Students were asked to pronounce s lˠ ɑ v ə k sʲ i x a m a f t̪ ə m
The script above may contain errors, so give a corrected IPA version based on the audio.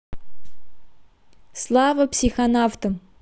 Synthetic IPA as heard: s lˠ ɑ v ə p sʲ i x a n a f t̪ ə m